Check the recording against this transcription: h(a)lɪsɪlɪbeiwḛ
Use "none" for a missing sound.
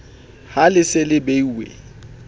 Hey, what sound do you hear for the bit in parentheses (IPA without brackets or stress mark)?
a